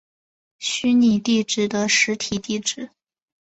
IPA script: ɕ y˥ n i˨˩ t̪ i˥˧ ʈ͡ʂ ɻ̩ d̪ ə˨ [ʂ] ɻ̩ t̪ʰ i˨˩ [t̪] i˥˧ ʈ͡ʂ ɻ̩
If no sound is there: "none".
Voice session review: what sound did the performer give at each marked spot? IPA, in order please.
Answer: ʂ, t̪

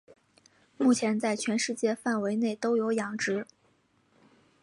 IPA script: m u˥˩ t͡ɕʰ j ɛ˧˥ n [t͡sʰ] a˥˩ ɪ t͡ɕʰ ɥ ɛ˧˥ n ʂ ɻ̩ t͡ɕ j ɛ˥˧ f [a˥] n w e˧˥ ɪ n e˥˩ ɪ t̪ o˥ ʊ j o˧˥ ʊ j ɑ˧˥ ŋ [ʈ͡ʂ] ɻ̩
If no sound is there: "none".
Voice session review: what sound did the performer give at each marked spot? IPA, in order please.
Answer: t͡s, a˥˩, ʈ͡ʂ

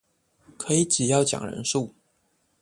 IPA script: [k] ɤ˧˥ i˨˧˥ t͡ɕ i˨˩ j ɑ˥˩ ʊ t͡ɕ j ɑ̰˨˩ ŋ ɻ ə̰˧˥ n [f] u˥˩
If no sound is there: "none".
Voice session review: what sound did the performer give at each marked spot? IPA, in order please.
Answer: kʰ, ʂ

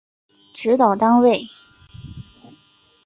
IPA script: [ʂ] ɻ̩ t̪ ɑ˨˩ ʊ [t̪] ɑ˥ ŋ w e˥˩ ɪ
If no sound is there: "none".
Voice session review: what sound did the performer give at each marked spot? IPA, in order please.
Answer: ʈ͡ʂ, t̪

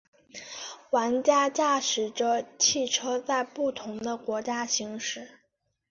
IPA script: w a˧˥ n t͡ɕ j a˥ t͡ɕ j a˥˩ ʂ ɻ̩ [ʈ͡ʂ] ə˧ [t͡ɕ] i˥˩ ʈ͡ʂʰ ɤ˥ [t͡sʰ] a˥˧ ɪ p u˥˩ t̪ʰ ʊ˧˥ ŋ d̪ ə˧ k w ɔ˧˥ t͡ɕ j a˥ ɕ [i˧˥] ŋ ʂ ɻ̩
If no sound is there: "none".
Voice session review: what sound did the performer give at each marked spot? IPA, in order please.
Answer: ʈ͡ʂ, t͡ɕʰ, t͡s, i˧˥

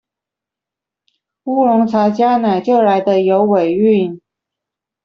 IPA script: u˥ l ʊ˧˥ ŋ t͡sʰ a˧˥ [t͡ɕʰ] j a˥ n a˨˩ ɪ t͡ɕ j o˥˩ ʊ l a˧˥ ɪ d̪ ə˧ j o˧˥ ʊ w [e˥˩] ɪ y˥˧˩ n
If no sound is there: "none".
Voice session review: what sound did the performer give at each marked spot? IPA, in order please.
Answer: t͡ɕ, e˨˩

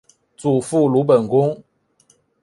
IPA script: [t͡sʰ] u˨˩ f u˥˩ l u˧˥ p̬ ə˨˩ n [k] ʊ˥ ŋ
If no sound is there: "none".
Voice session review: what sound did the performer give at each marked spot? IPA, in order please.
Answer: t͡s, k

